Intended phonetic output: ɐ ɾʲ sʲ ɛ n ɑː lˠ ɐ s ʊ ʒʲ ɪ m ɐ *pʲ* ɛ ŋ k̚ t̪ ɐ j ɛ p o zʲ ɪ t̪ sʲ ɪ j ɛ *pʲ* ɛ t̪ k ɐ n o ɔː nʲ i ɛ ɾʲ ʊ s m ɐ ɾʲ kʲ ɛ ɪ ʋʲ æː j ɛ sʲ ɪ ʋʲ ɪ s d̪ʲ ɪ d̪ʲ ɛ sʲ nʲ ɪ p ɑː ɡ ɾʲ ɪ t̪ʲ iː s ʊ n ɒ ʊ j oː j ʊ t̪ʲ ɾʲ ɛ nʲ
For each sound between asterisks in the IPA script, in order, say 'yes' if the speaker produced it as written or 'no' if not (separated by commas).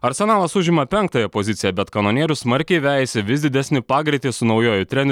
yes, no